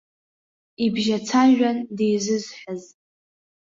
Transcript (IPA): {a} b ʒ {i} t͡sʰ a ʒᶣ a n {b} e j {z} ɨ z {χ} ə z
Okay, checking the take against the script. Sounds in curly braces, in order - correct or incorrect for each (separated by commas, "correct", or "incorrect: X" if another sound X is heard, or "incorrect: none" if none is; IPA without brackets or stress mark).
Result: incorrect: i, incorrect: a, incorrect: d, correct, incorrect: ħ